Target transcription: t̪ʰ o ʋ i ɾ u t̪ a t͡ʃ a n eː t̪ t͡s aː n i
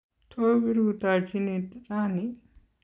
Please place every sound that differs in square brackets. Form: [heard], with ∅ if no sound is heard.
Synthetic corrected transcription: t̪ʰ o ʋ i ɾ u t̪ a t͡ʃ [i] n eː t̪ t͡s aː n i